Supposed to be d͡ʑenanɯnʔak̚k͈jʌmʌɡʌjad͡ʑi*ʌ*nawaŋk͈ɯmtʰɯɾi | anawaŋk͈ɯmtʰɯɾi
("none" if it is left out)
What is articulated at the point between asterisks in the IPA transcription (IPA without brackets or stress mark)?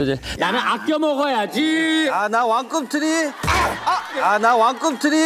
a